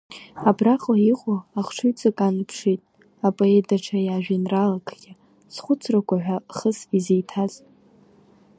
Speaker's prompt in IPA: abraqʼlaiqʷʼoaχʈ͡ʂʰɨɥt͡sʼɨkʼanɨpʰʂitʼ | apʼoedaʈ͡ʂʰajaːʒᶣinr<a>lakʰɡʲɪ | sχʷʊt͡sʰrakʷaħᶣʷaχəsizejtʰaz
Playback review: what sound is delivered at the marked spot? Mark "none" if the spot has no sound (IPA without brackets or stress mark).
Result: a